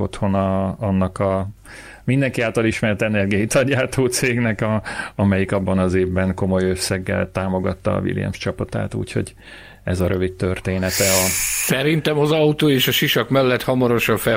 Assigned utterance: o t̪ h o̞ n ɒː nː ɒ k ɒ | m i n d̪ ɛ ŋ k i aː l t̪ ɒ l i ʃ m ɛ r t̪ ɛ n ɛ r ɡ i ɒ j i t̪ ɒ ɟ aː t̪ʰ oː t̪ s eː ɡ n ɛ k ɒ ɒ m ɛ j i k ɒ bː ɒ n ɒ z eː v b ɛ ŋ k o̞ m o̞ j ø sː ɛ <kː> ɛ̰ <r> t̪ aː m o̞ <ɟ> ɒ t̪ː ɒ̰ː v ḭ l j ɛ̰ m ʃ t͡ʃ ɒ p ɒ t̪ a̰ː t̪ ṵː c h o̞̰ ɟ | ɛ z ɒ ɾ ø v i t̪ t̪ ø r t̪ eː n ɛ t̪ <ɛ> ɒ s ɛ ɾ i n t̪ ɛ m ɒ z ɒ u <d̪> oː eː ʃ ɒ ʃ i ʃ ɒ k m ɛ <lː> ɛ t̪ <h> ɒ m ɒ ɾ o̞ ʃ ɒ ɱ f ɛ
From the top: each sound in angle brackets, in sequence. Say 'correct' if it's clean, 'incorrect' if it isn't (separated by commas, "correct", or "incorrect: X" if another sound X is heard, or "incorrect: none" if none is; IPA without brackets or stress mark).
incorrect: ɡː, incorrect: l, incorrect: ɡ, correct, incorrect: t̪, correct, correct